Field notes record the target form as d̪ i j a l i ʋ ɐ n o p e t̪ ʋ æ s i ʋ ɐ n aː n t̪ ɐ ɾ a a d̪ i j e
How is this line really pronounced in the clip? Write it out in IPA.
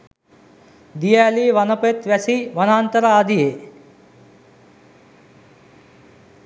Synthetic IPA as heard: d̪ i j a l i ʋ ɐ n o p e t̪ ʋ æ s i ʋ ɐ n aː n t̪ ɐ ɾ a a d̪ i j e